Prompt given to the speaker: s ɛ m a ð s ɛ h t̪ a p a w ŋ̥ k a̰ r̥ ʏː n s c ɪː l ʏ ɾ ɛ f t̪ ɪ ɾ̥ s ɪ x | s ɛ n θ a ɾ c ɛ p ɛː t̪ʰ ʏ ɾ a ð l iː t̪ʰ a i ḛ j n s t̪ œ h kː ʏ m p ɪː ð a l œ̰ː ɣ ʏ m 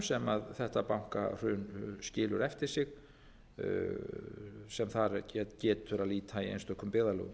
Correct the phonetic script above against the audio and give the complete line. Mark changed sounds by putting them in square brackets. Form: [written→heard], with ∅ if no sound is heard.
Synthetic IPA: s ɛ m a ð [s→θ] ɛ h t̪ a p a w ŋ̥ k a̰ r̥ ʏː n s c ɪː l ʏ ɾ ɛ f t̪ ɪ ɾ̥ s ɪ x | s ɛ [n→m] θ a ɾ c ɛ [p→c] ɛː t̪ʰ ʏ ɾ a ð l iː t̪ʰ a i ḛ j n s t̪ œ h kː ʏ m p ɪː ð a l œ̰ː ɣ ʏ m